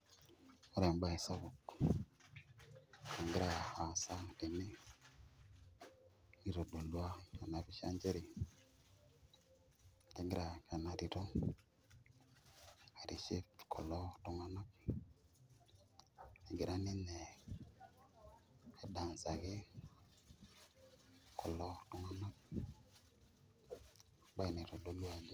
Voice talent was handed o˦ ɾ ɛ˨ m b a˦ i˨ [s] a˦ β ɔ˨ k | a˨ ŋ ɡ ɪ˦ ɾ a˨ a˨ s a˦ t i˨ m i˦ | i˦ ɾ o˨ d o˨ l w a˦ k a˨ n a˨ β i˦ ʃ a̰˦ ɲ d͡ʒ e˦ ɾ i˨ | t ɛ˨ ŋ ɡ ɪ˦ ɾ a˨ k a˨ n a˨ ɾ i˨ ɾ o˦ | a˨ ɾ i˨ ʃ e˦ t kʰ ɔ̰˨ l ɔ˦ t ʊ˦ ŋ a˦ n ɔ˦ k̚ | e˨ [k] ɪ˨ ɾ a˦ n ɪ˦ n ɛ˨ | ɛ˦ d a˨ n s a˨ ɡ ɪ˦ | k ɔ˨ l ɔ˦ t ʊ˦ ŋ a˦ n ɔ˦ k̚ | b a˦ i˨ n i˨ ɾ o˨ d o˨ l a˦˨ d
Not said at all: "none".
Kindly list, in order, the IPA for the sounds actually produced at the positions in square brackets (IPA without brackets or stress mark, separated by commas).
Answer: s, ɡ